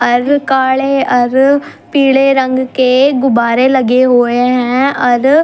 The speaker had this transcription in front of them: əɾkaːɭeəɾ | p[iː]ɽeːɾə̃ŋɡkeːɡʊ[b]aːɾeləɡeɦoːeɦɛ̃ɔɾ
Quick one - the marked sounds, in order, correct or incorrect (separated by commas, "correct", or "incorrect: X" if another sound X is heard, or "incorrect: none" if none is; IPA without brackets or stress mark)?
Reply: correct, correct